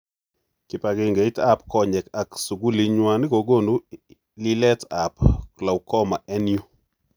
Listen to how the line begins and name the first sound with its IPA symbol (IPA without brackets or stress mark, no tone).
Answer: k